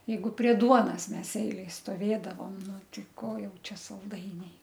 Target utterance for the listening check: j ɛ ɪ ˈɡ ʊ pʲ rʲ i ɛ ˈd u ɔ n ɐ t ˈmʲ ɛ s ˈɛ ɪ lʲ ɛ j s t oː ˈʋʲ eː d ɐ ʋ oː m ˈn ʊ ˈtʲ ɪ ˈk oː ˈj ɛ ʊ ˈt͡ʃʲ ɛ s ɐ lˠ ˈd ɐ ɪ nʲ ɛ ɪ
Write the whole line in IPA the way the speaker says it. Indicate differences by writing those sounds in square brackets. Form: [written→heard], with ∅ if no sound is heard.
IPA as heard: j ɛ ɪ ˈɡ ʊ pʲ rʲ i ɛ ˈd u ɔ n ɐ [t→s] ˈmʲ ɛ s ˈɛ ɪ lʲ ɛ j s t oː ˈʋʲ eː d ɐ ʋ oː m ˈn ʊ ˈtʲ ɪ ˈk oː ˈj ɛ ʊ ˈt͡ʃʲ ɛ s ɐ lˠ ˈd ɐ ɪ nʲ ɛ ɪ